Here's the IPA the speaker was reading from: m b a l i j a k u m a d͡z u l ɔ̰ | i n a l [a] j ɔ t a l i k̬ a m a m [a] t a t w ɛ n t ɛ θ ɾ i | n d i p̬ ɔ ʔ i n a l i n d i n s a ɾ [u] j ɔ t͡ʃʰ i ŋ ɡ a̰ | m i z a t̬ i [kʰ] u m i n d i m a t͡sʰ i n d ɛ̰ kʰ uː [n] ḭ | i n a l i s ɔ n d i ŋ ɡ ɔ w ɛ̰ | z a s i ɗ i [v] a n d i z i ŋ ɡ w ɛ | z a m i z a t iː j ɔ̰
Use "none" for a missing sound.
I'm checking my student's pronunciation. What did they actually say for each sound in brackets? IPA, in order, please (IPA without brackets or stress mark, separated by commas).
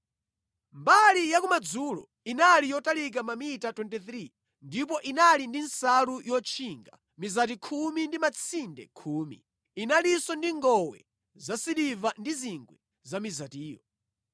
i, i, u, kʰ, m, v